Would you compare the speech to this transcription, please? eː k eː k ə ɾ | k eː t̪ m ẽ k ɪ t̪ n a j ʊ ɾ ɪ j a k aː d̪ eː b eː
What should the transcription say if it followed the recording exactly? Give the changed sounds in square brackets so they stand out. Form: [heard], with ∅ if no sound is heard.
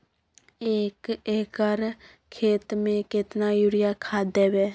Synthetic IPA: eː k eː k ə ɾ | [kʰ] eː t̪ m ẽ k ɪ t̪ n a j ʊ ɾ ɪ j a [kʰ] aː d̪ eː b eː